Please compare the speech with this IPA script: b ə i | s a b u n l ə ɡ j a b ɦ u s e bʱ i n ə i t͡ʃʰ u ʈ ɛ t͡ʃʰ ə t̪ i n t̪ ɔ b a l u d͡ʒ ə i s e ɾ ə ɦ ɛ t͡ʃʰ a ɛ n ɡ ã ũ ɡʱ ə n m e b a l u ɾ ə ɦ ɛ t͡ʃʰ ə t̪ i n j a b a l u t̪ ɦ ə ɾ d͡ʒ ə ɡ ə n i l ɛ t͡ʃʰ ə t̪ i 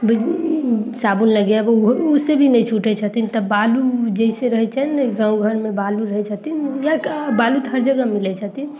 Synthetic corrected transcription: b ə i | s a b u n l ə ɡ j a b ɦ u s e bʱ i n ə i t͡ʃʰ u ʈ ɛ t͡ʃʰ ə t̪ i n t̪ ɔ b a l u d͡ʒ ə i s e ɾ ə ɦ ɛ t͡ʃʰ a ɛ n ɡ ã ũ ɡʱ ə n m e b a l u ɾ ə ɦ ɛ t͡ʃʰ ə t̪ i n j a b a l u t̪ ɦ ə ɾ d͡ʒ ə ɡ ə m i l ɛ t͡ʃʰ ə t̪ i